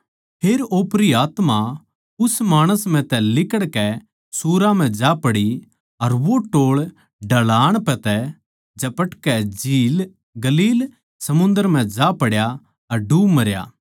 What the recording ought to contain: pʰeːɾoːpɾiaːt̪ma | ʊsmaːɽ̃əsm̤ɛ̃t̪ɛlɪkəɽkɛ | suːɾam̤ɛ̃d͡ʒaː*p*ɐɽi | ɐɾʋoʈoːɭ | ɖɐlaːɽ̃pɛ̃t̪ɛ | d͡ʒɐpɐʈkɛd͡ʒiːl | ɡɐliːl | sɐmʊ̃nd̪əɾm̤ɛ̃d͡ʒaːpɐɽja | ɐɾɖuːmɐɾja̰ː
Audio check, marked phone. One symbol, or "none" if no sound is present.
p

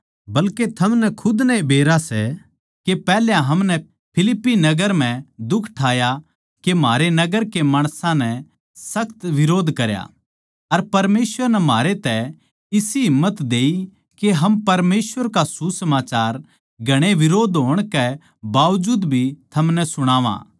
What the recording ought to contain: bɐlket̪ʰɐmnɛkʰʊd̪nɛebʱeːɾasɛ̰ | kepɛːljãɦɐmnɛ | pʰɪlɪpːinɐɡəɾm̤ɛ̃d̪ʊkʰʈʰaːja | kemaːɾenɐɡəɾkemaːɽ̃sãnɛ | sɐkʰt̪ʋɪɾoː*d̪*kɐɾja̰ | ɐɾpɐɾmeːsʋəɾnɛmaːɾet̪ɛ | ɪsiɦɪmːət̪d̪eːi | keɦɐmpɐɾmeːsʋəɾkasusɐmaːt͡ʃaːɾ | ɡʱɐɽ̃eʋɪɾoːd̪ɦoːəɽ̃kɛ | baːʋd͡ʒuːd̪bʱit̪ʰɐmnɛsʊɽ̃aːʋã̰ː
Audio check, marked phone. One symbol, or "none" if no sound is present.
d̪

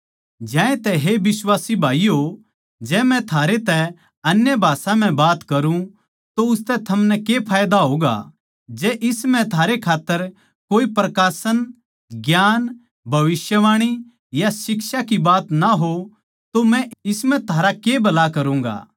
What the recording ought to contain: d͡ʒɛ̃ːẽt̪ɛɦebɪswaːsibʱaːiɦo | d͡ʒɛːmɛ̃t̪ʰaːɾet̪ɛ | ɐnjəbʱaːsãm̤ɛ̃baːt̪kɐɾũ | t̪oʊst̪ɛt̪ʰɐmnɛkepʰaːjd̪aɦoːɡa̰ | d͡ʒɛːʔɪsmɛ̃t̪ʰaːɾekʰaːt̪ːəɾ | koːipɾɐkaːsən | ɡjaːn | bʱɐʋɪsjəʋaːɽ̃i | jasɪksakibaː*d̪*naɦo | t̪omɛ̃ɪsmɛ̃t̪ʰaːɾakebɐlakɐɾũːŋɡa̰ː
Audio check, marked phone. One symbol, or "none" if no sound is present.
t̪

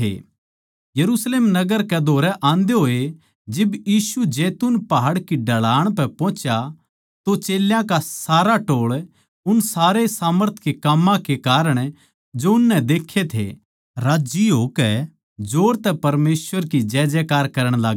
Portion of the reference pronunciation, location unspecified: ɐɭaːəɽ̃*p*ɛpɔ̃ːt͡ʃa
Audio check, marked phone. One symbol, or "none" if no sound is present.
p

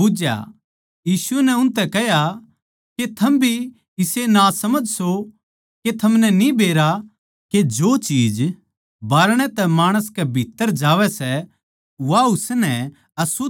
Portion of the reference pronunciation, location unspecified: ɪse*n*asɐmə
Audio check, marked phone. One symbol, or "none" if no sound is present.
n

